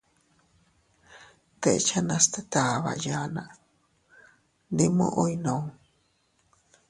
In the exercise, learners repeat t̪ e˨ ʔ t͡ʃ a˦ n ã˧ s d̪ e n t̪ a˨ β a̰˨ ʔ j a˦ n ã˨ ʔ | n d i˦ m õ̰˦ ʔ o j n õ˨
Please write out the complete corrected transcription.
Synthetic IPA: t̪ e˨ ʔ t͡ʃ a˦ n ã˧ s t̪ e t̪ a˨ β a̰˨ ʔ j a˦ n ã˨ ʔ | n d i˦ m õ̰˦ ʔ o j n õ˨